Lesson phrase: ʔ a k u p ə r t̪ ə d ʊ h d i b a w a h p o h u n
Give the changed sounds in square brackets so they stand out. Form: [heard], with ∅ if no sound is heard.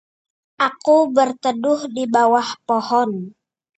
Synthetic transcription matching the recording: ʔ a k u [b] ə r t̪ ə d ʊ h d i b a w a h p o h [ɔ] n